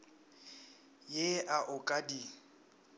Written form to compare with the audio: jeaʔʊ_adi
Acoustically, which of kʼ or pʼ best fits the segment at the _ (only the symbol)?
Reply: kʼ